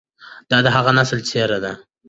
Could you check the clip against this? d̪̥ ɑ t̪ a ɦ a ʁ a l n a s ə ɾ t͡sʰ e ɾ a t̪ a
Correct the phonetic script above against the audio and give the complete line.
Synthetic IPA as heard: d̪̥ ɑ d̪ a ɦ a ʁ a n a s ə l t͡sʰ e ɾ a d̪ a

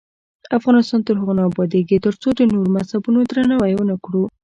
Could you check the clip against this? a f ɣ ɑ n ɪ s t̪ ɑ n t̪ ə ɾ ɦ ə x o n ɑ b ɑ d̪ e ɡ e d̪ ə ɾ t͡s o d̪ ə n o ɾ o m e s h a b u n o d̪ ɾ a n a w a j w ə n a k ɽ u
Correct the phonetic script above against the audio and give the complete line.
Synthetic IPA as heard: a f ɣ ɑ n ɪ s t̪ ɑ n t̪ ə ɾ ɦ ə ɣ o n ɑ b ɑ d̪ e ɡ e t̪ ə ɾ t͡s o d̪ ə n o ɾ o m a s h a b u n o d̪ ɾ a n a w a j w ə n a k ɽ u

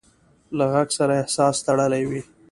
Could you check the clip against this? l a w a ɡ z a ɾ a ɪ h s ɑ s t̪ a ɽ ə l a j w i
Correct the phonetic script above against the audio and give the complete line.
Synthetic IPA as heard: l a ɣ a ɡ s a ɾ a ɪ h s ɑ s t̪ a ɽ ə l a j w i

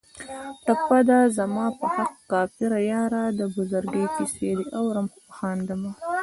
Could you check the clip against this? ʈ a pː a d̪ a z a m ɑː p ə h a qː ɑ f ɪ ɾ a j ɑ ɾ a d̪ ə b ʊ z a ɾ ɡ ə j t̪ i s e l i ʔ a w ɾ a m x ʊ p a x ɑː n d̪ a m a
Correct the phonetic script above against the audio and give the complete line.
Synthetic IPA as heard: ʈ a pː a d̪ a z a m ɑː p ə h a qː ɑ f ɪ ɾ a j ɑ ɾ a d̪ ə b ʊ z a ɾ ɡ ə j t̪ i s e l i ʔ a w ɾ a m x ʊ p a x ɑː n d̪ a m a

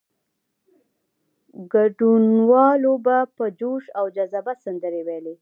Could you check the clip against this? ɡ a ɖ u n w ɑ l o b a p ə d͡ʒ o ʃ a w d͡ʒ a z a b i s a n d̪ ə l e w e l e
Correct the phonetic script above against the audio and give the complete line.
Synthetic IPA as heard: ɡ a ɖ u n w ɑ l o b a p ə d͡ʒ o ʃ a w d͡ʒ a z a b a s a n d̪ ə ɾ e w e l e

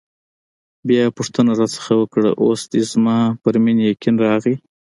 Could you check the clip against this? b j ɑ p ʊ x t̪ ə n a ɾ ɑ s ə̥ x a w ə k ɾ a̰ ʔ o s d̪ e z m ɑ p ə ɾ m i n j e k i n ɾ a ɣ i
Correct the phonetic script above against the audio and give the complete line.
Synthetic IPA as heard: b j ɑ p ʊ ʂ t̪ ə n a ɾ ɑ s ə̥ x a w ə k ɽ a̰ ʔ o s d̪ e z m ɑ p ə ɾ m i n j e k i n ɾ ɑ ɣ i

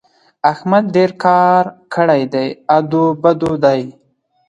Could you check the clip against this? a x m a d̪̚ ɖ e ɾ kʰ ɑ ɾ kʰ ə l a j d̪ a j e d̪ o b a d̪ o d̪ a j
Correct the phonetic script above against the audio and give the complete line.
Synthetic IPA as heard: a x m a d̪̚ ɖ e ɾ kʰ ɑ ɾ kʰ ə ɽ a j d̪ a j a d̪ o b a d̪ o d̪ a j

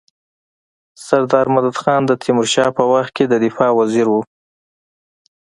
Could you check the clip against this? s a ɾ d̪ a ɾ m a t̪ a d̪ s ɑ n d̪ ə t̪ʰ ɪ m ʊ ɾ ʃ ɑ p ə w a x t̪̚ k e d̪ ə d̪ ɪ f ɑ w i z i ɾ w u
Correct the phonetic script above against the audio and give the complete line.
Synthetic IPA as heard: s a ɾ d̪ ɑ ɾ m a d̪ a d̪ x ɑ n d̪ ə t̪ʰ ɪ m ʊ ɾ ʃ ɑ p ə w a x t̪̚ k e d̪ ə d̪ ɪ f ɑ w a z i ɾ w u

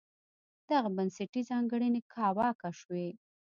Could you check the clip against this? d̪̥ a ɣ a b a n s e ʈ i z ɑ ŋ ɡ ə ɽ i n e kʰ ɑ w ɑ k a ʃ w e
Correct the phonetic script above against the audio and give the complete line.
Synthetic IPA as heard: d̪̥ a ɣ a b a n s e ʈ i z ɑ ŋ ɡ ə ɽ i n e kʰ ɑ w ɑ k a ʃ w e

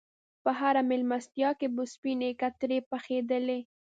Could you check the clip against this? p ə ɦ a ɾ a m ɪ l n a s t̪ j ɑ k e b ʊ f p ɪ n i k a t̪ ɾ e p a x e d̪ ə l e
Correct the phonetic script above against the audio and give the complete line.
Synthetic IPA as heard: p ə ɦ a ɾ a m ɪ l m a s t̪ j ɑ k e b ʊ s p i n e k a t̪ ɾ e p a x e d̪ ə l e

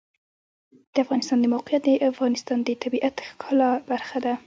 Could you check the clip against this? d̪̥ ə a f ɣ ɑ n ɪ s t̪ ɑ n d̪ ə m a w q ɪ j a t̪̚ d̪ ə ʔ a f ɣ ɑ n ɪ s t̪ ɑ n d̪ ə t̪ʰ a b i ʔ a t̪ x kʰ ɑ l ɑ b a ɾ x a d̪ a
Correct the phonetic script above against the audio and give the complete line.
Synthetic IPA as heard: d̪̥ ə a f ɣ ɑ n ɪ s t̪ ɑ n d̪ ə m a w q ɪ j a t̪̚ d̪ ə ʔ a f ɣ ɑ n ɪ s t̪ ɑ n d̪ ə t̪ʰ a b i ʔ a t̪ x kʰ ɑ l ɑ b a ɾ x a d̪ a

